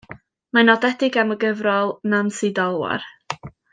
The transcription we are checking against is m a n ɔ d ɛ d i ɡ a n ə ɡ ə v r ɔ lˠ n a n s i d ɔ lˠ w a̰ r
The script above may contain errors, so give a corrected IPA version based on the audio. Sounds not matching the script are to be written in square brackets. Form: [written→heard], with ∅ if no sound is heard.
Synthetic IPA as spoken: m a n ɔ d ɛ d [i→ɪ] ɡ a [n→m] ə ɡ ə v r ɔ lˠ n a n s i d ɔ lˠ w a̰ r